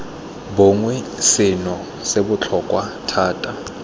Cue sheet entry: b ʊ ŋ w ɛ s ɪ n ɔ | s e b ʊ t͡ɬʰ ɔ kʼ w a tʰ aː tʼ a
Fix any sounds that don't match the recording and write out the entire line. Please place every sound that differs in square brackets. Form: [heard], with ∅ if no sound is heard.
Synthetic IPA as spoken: b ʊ ŋ w ɛ s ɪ n ɔ | s e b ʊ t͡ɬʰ ɔ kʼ w a tʰ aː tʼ a